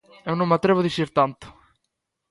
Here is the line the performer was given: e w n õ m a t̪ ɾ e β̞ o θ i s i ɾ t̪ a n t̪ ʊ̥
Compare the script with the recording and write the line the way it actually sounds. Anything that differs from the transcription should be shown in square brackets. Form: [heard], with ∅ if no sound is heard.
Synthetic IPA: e w n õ m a t̪ ɾ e β̞ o [ð] i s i ɾ t̪ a n t̪ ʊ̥